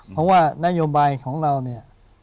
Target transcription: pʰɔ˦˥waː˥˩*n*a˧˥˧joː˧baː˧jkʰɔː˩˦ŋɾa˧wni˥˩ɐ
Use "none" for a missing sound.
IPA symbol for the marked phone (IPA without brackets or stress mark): n